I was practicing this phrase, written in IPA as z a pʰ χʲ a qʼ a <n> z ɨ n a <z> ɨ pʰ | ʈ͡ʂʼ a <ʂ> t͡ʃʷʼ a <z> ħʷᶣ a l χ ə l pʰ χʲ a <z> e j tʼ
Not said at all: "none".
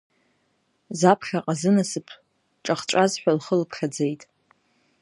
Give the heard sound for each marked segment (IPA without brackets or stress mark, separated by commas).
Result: none, s, χ, z, d͡z